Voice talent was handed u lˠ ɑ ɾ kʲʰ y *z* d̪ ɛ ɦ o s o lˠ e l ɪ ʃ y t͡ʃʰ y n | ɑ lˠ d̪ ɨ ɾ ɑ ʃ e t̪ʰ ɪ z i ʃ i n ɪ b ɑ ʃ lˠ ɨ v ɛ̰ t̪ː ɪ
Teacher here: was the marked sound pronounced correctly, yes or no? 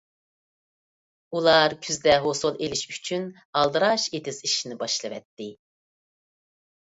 yes